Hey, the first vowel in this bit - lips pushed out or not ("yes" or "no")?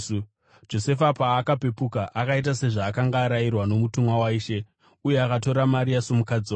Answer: yes